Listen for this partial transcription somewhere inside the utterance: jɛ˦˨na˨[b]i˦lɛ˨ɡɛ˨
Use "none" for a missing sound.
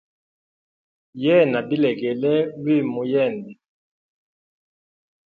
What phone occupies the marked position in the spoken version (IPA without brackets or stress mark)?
b